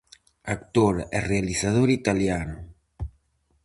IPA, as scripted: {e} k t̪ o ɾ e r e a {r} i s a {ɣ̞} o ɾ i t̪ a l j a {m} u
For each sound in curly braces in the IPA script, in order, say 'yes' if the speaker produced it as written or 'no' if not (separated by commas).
no, no, no, no